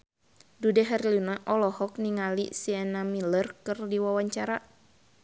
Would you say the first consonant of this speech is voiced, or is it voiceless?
voiced